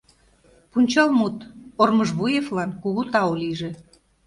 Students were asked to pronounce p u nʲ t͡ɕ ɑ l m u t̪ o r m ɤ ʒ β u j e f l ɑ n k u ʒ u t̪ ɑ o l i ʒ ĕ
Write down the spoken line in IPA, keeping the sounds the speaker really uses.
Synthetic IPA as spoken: p u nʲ t͡ɕ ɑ l m u t̪ o r m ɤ ʒ β u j e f l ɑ n k u ɣ u t̪ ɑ o l i ʒ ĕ